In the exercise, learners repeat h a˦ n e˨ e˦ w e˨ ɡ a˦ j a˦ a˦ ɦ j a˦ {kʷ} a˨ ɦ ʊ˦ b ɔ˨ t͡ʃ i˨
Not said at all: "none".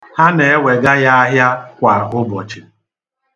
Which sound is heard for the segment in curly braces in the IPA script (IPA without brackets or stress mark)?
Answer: kʷ